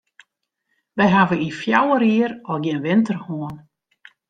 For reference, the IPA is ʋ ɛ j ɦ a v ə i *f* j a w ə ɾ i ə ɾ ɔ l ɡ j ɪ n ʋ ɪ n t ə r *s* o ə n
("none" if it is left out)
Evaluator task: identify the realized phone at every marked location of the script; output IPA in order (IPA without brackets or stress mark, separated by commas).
f, h